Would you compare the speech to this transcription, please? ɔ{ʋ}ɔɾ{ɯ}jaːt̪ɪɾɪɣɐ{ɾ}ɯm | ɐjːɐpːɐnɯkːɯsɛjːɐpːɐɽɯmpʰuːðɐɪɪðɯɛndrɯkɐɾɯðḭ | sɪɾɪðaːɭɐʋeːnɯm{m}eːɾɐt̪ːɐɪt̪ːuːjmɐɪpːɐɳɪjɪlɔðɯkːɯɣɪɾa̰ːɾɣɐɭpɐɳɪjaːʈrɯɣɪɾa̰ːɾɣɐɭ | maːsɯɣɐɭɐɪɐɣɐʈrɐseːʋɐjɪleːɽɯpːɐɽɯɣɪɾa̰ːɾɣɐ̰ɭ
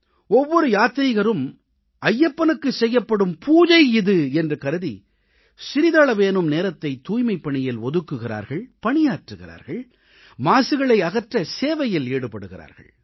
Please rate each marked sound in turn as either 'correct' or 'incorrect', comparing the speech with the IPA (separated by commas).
incorrect, correct, correct, incorrect